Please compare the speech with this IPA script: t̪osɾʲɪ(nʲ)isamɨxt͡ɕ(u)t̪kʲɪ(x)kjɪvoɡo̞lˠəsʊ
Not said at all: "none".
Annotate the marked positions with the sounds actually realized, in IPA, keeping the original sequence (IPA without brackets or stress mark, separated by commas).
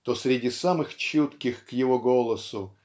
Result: dʲ, u, x